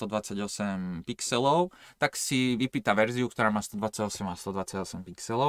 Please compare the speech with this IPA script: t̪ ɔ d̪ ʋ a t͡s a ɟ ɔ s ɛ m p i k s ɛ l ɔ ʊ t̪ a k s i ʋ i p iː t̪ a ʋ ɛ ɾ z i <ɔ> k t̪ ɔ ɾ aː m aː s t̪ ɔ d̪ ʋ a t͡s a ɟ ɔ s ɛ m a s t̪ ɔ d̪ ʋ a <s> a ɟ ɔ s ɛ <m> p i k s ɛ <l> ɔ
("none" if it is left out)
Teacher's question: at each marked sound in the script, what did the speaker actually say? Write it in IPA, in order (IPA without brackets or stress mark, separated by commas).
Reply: u, t͡s, m, l